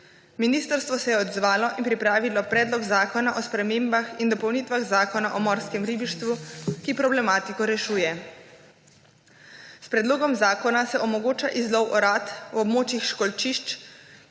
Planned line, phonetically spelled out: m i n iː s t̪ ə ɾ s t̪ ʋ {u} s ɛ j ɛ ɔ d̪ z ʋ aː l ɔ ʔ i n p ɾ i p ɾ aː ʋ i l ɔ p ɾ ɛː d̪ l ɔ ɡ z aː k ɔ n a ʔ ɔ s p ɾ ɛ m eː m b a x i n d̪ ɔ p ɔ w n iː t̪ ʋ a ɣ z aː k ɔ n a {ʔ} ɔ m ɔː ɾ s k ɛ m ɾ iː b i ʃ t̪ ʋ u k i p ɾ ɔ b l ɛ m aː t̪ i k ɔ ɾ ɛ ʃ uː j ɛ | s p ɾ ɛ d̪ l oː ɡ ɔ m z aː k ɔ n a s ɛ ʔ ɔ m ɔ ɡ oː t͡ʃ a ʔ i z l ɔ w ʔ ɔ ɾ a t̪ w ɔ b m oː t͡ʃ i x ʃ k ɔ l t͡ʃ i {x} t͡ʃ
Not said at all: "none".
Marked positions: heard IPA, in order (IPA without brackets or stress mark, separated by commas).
ɔ, ʔ, ʃ